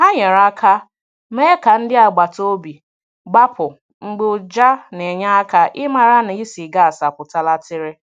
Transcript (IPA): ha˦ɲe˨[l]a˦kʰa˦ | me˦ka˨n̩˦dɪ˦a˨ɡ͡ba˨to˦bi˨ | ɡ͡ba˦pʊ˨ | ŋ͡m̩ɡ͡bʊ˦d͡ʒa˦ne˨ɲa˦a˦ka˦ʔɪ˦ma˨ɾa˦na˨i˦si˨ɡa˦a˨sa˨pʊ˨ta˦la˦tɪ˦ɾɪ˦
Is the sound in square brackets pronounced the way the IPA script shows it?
no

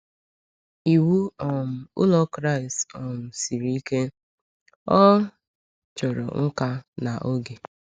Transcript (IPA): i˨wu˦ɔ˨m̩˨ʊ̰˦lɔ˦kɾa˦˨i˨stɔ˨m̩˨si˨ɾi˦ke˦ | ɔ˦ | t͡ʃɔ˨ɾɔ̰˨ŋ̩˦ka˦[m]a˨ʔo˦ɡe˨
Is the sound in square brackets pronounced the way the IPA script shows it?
no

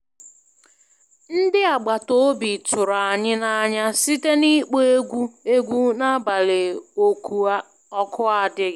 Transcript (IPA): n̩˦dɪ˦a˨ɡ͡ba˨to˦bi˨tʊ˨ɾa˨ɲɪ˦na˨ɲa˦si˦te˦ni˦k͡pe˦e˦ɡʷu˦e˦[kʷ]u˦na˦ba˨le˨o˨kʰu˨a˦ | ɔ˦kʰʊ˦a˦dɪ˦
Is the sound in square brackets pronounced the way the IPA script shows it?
no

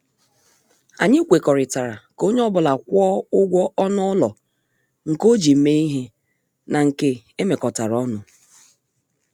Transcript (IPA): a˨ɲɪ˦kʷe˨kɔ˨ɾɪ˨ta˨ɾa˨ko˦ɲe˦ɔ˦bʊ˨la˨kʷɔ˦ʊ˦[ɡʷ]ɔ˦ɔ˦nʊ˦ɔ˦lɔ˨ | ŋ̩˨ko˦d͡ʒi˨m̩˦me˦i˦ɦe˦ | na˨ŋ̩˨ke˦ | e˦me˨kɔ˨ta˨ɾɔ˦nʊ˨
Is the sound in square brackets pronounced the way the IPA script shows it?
yes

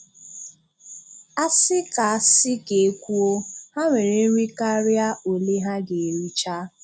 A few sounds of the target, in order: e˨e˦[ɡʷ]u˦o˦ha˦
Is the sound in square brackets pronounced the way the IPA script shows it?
no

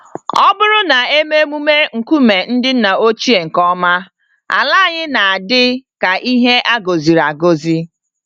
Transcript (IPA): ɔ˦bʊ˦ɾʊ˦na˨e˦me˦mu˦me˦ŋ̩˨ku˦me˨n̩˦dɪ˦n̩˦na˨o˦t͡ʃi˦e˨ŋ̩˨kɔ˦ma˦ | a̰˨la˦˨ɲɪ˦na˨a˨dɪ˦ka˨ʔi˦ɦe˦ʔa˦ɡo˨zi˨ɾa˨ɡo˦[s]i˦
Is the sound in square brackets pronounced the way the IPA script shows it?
no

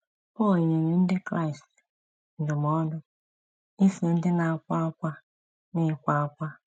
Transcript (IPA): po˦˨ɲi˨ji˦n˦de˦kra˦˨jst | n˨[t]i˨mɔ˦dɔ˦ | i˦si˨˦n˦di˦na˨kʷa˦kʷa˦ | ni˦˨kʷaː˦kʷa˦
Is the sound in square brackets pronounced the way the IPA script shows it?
no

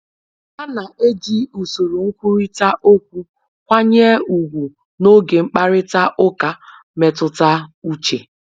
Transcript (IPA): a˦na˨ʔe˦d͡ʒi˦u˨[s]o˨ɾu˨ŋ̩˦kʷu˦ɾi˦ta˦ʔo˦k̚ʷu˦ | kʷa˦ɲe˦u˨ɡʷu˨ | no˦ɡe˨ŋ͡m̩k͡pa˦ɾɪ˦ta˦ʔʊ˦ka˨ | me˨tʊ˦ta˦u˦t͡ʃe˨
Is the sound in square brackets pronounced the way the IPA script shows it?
yes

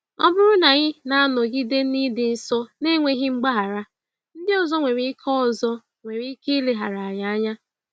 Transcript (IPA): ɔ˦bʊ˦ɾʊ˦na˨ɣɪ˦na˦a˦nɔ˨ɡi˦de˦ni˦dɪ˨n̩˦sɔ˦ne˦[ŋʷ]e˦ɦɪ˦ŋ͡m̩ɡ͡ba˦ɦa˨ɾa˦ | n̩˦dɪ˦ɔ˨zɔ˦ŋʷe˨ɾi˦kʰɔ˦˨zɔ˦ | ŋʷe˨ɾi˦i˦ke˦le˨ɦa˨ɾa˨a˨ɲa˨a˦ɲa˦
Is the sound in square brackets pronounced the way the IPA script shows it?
yes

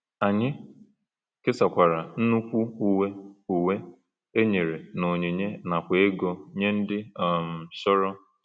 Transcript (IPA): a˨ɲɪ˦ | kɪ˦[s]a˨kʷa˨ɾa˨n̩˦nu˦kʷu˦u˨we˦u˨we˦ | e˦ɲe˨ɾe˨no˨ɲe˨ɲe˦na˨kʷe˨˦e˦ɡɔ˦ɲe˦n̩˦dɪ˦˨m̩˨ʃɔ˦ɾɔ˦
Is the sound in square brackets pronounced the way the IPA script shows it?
yes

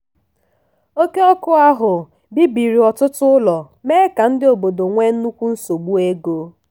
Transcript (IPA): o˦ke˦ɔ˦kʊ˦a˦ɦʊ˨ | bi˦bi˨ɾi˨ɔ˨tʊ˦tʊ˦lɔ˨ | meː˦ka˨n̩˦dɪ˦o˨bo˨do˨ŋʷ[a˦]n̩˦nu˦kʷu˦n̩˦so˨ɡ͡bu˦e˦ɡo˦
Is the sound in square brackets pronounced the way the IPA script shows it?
no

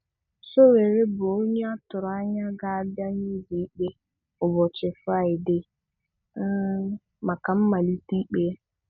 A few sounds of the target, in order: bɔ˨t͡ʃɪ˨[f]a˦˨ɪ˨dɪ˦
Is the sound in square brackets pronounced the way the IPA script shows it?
yes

